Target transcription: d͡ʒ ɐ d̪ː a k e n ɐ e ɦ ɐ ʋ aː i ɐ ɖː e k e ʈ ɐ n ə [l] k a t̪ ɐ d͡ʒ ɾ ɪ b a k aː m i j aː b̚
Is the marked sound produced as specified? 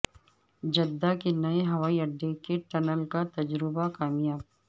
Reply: yes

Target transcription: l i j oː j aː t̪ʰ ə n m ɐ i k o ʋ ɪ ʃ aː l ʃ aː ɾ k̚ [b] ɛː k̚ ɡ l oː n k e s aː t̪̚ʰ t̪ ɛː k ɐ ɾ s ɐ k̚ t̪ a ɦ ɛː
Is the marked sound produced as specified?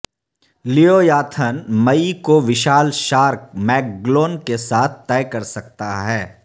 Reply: no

